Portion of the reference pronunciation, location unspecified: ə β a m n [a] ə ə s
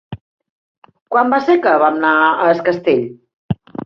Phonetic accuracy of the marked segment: correct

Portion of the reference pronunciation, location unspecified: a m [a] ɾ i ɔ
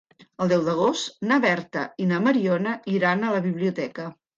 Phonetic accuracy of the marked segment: incorrect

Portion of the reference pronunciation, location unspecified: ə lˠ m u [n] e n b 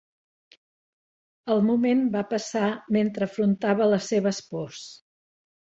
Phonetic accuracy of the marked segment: incorrect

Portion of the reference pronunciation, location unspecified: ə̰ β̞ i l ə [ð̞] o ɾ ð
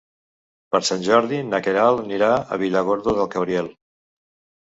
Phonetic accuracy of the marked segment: incorrect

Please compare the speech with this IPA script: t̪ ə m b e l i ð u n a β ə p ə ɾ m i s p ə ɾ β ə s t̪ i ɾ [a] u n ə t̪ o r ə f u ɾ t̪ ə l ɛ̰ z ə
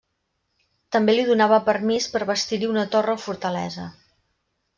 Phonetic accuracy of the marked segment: incorrect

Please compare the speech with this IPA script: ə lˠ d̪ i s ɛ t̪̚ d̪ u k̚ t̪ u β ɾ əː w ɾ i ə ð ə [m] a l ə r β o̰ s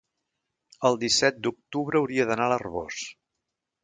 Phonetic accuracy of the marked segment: incorrect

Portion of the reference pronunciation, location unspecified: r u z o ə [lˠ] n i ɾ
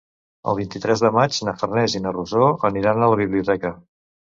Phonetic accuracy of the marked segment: incorrect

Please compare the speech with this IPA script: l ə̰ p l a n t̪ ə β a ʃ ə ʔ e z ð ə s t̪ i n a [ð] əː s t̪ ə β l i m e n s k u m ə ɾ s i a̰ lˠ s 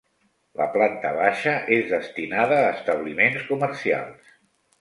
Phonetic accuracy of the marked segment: correct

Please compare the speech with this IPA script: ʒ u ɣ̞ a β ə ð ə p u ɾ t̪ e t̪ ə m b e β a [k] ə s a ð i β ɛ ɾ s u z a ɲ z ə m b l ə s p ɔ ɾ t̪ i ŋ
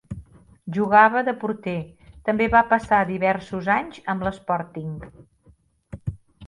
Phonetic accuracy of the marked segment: incorrect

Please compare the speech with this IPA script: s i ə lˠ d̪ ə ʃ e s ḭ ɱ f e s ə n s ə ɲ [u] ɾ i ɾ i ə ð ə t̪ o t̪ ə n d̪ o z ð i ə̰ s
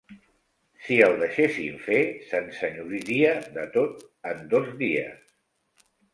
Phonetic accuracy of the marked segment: correct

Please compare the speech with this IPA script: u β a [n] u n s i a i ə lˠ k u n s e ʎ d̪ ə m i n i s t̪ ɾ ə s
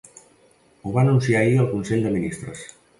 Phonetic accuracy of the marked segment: correct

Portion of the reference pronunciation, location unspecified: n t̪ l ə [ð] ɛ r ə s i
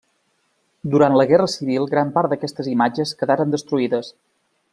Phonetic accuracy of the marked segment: incorrect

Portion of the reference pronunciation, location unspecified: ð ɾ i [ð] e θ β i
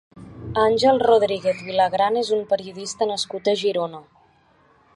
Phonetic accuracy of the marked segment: incorrect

